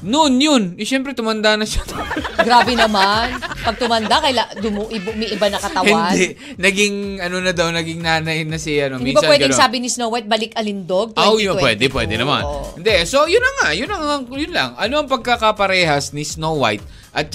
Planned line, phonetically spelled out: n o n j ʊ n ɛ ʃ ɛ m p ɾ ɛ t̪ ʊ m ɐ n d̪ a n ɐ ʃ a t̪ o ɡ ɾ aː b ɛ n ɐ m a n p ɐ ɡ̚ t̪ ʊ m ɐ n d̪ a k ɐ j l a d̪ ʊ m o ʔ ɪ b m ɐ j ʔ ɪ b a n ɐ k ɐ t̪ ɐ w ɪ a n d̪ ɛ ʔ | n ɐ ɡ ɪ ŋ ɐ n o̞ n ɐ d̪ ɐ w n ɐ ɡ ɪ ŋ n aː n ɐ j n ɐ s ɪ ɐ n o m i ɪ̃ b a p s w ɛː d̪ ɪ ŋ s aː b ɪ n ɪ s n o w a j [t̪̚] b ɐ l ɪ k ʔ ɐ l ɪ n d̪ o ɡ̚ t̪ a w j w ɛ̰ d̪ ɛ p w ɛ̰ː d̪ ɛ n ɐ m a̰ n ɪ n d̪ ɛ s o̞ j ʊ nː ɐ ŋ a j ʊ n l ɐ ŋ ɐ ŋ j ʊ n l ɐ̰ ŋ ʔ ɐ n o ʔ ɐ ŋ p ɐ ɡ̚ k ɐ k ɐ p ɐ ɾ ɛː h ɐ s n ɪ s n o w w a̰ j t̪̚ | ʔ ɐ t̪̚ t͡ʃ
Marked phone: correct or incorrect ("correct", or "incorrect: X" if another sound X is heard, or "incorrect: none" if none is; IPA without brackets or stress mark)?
correct